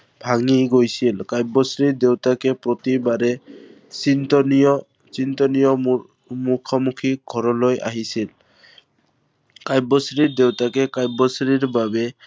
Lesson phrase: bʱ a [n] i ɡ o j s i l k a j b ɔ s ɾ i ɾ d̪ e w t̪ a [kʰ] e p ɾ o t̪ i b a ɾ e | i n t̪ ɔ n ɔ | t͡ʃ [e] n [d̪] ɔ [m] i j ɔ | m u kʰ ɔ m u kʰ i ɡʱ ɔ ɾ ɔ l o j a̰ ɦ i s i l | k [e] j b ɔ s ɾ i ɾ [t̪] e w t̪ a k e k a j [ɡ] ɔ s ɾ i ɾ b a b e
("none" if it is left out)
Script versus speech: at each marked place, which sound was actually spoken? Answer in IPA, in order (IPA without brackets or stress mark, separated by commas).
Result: ŋ, k, i, t̪, n, a, d̪, b